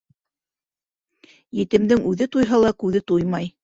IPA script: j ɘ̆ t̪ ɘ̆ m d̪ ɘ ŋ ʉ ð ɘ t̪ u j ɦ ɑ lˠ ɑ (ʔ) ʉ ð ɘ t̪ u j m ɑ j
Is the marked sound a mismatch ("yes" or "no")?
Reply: yes